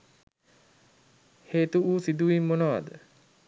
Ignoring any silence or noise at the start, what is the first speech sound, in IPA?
h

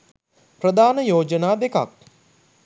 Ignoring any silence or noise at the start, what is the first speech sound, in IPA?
p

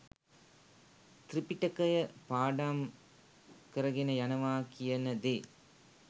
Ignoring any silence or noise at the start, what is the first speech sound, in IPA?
t̪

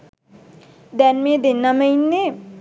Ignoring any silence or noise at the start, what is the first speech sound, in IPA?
d̪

